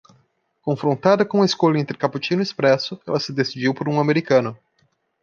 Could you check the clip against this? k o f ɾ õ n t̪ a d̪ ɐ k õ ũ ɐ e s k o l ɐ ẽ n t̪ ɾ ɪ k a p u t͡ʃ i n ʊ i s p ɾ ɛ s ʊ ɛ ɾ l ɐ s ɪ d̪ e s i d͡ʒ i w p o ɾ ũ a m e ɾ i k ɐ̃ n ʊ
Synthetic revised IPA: k õ f ɾ õ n t̪ a d̪ ɐ k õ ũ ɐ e s k o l ɐ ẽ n t̪ ɾ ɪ k a p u t͡ʃ i n ʊ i s p ɾ ɛ s ʊ ɛ l ɐ s ɪ d̪ e s i d͡ʒ i w p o ɾ ũ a m e ɾ i k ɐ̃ n ʊ